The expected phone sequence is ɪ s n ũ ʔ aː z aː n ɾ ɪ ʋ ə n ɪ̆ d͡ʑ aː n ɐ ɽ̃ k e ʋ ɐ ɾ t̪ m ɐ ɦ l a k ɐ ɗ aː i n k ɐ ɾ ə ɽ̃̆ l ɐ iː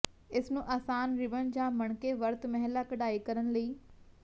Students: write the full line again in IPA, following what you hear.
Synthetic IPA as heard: ɪ s n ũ ʔ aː s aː n ɾ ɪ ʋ ə n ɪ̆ d͡ʑ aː m ɐ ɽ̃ k e ʋ ɐ ɾ t̪ m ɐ ɦ l a k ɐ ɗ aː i k ɐ ɾ ə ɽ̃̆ l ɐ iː